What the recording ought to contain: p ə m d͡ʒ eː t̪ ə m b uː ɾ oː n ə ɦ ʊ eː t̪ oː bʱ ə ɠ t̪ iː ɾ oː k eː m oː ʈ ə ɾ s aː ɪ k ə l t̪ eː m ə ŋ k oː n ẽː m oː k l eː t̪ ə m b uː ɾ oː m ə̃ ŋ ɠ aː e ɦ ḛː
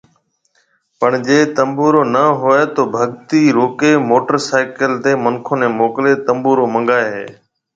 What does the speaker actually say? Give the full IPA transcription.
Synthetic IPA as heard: p ə ɳ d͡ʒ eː t̪ ə m b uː ɾ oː n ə ɦ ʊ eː t̪ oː bʱ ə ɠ t̪ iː ɾ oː k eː m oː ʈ ə ɾ s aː ɪ k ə l t̪ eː m ə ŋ kʰ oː n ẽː m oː k l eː t̪ ə m b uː ɾ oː m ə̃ ŋ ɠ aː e ɦ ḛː